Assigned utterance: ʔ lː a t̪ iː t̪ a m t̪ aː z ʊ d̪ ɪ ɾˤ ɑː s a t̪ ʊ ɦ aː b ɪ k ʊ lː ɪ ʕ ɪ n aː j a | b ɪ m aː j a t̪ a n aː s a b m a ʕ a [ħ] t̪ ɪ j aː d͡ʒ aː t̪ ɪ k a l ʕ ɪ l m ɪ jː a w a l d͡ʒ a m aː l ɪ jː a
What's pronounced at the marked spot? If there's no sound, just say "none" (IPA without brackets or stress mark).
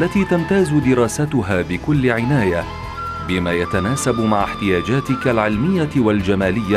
ħ